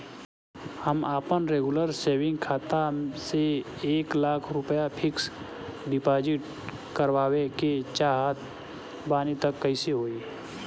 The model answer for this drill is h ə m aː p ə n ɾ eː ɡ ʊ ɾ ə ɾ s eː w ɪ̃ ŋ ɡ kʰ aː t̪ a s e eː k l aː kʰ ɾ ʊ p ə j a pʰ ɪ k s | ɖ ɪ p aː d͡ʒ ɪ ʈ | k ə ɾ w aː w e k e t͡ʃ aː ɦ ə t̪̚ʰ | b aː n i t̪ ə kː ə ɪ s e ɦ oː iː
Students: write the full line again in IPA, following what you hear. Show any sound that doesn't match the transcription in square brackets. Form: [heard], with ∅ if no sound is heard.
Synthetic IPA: h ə m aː p ə n ɾ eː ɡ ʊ [l] ə ɾ s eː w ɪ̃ ŋ ɡ kʰ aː t̪ a s e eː k l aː kʰ ɾ ʊ p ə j a pʰ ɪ k s | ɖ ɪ p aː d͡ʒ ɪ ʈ | k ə ɾ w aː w e k e t͡ʃ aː ɦ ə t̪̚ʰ | b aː n i t̪ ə kː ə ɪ s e ɦ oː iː